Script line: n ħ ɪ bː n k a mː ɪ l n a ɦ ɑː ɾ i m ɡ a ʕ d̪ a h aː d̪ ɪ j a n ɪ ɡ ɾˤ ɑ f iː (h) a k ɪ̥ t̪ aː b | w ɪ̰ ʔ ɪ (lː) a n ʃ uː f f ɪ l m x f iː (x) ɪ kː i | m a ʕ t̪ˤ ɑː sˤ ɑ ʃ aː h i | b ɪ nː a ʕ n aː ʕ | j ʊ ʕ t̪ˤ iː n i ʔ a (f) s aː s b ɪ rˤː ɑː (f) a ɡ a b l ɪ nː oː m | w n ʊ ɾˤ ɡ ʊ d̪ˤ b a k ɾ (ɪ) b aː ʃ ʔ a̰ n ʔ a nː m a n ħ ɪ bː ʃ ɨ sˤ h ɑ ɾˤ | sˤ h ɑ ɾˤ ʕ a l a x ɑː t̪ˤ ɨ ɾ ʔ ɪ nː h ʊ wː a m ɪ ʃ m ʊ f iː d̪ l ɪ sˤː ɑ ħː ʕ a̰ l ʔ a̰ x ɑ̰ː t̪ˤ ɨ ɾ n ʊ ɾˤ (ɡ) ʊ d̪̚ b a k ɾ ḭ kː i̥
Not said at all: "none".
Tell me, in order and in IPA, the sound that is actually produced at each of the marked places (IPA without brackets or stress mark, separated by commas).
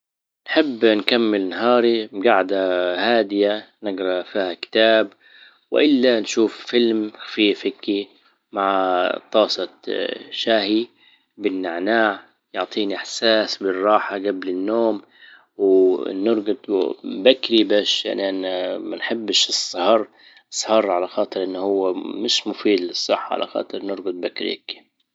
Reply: h, lː, f, ħ, ħ, i, ɡ